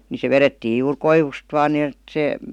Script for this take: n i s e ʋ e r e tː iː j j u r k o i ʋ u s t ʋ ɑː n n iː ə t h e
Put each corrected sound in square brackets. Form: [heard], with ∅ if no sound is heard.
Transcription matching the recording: n i s e ʋ e r e tː iː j j [uː] r k o i ʋ u s t ʋ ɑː n n [i] ə t [s] e